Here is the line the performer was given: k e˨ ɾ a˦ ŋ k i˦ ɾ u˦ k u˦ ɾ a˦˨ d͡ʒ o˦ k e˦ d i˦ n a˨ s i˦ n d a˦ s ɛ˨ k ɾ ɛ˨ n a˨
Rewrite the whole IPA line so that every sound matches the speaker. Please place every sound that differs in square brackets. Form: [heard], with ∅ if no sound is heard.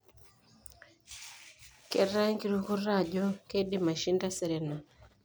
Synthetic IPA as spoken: k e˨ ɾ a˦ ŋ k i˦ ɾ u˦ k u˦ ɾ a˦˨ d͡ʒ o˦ k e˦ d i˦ [m] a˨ [ʃ] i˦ n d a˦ s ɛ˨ [∅] ɾ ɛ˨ n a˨